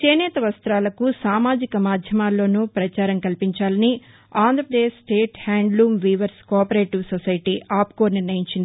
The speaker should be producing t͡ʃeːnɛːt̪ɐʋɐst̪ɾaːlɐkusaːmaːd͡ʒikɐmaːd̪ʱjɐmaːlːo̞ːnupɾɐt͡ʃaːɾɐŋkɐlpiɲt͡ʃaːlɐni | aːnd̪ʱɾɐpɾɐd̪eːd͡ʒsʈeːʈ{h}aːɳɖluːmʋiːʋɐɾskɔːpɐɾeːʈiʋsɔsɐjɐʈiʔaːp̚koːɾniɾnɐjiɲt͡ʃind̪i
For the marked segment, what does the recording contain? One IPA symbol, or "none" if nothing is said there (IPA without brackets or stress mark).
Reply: h